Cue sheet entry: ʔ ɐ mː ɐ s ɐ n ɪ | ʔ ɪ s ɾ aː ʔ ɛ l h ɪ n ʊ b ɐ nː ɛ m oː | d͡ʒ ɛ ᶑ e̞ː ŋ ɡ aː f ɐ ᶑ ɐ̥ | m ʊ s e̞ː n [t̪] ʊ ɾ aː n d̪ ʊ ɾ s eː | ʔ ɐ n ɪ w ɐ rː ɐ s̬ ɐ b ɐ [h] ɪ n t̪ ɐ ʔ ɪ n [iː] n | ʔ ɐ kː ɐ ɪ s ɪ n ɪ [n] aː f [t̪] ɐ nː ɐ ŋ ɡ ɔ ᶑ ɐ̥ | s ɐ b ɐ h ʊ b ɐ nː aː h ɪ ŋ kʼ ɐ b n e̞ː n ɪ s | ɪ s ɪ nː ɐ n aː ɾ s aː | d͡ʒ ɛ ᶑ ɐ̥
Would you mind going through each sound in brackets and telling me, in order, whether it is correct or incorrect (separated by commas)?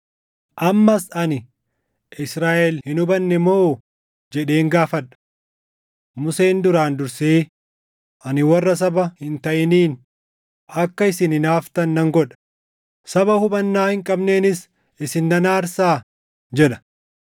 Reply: incorrect, correct, correct, correct, correct